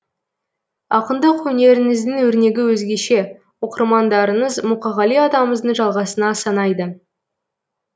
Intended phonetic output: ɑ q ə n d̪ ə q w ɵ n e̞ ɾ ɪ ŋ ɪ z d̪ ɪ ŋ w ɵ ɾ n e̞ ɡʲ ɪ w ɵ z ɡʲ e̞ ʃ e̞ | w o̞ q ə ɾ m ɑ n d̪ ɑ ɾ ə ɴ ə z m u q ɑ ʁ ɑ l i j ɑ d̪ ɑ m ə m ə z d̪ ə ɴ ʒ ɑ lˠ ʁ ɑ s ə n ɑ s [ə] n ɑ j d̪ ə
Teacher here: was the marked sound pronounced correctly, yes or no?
no